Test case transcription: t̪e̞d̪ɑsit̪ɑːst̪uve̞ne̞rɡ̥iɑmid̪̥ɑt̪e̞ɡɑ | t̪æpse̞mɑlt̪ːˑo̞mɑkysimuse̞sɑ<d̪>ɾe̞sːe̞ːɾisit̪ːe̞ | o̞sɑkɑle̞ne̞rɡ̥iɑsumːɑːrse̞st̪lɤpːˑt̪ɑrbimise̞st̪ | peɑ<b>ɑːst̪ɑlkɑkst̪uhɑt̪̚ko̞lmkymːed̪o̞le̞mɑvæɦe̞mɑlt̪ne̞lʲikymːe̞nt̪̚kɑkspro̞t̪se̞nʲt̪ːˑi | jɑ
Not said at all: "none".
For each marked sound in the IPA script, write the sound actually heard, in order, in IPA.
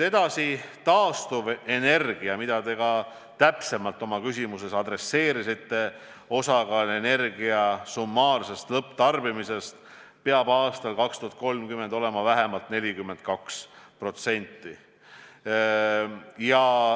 d̪, b

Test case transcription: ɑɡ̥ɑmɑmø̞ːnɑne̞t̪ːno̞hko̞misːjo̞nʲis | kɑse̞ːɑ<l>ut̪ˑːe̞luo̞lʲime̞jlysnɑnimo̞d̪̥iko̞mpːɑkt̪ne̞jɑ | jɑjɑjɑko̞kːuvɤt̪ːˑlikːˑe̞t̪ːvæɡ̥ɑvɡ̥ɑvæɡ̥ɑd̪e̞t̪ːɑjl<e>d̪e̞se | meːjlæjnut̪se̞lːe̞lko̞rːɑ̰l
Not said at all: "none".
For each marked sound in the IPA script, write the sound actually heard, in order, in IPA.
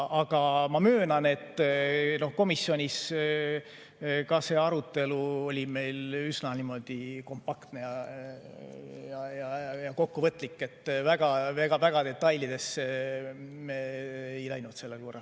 ɾ, i

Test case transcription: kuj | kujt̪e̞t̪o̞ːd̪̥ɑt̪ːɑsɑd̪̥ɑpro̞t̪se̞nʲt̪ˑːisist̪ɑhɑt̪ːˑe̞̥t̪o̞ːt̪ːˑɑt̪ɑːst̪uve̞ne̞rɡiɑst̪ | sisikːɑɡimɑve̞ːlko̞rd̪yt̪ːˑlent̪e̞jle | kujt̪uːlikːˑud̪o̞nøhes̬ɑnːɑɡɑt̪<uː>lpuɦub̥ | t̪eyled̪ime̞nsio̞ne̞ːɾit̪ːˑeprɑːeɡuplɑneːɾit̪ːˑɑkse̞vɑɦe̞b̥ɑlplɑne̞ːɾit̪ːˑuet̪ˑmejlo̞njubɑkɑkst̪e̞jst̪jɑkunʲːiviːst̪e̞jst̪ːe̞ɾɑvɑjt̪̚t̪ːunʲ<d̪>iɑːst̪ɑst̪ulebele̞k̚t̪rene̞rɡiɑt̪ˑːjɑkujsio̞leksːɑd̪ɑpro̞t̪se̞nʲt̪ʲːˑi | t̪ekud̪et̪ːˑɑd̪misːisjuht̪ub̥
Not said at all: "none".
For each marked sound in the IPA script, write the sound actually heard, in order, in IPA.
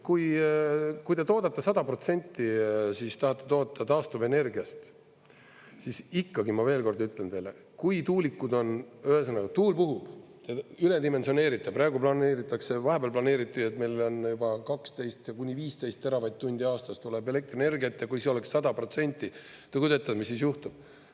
uː, d̪

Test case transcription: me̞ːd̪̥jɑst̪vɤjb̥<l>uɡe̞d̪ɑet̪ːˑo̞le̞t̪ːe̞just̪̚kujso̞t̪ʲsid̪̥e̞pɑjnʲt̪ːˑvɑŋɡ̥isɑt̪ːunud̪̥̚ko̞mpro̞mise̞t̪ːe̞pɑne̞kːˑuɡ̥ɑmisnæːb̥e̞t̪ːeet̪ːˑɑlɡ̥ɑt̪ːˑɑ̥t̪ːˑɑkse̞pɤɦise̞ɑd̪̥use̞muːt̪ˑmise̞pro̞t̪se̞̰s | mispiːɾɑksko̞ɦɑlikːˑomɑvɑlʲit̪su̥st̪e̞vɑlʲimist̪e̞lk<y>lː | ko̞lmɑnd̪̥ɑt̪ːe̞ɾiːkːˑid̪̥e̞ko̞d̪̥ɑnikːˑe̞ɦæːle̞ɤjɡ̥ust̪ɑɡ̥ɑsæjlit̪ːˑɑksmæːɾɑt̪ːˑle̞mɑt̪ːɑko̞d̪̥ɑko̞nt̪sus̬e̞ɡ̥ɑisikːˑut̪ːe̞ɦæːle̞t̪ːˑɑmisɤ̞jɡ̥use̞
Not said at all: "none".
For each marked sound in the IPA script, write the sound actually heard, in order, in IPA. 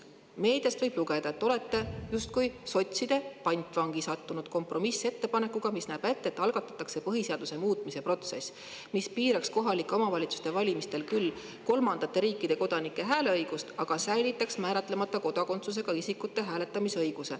l, y

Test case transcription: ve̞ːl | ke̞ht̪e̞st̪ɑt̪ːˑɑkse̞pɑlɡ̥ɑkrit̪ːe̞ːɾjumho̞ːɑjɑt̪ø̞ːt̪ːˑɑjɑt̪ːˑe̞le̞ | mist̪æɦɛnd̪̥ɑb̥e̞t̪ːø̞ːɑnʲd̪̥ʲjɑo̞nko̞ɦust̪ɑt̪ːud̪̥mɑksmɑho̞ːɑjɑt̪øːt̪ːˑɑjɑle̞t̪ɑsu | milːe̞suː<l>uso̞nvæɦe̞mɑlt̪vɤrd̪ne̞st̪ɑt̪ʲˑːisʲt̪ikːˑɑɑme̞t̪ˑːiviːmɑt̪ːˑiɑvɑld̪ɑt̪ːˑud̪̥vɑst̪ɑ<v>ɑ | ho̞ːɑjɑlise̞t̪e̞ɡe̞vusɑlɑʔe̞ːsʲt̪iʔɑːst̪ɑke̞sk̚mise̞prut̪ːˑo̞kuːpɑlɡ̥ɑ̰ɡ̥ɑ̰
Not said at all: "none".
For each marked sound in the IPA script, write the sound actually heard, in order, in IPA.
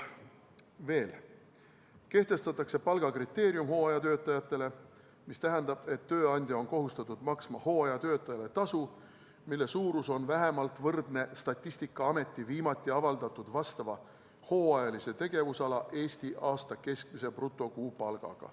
ɾ, v

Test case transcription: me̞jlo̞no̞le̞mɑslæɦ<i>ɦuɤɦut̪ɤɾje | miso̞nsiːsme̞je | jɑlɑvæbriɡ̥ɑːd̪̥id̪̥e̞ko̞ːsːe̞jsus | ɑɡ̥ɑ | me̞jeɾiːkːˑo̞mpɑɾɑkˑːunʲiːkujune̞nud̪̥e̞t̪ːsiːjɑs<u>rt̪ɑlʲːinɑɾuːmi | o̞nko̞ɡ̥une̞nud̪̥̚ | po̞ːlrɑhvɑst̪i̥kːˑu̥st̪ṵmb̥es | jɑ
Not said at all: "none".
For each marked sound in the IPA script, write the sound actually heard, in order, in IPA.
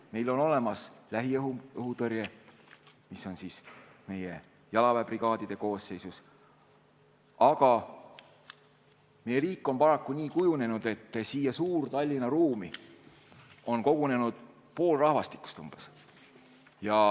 i, uː

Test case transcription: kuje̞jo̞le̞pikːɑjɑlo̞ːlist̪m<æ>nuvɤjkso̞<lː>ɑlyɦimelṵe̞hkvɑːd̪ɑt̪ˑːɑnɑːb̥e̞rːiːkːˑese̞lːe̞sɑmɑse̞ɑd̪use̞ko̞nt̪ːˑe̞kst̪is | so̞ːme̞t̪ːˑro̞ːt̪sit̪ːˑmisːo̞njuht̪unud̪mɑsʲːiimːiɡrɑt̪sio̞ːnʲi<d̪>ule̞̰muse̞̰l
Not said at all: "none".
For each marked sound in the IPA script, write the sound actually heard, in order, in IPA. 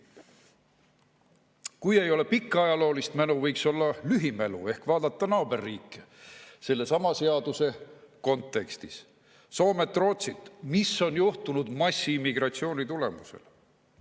æ, lː, t̪

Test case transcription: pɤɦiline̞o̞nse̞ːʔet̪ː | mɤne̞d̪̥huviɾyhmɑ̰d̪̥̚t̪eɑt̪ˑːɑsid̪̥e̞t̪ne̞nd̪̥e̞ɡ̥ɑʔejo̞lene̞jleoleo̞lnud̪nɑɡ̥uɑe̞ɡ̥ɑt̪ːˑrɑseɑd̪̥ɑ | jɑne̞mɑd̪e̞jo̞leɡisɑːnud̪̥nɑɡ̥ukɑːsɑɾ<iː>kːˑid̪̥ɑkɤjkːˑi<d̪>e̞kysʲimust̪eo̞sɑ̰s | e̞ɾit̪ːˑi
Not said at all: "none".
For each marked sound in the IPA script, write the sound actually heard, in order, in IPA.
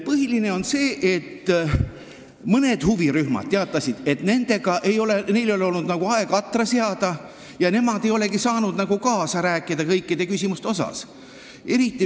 æː, d̪

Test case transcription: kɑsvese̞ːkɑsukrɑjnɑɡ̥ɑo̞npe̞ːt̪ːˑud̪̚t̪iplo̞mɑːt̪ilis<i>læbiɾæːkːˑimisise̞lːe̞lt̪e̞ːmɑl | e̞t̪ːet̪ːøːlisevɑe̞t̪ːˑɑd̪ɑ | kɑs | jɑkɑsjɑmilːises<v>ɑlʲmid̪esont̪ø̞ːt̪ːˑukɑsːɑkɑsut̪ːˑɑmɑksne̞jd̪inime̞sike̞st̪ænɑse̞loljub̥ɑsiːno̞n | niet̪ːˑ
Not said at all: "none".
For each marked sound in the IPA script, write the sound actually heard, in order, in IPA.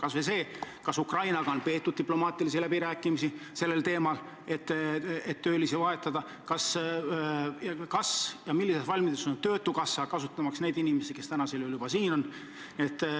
i, v

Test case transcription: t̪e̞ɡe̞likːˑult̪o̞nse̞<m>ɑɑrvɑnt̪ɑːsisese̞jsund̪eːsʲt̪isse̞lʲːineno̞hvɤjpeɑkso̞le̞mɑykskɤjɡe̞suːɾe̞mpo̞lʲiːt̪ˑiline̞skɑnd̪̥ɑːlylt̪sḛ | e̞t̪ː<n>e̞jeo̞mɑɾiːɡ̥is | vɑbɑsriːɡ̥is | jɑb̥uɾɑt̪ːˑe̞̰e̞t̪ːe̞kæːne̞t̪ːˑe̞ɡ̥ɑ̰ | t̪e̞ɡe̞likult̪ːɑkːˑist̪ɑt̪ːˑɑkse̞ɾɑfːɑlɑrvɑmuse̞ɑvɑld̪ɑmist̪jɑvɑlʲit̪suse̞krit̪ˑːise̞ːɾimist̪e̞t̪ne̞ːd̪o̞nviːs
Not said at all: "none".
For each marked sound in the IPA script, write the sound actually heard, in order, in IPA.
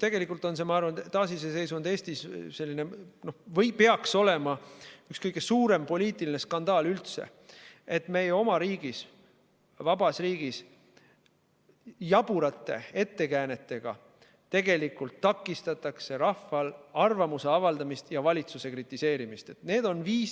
m, m

